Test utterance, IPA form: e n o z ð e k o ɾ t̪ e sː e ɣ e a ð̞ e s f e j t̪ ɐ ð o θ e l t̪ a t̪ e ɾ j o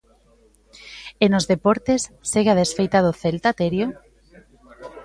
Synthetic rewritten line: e n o z ð e p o ɾ t̪ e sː e ɣ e a ð̞ e s f e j t̪ a ð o θ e l t̪ a t̪ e ɾ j o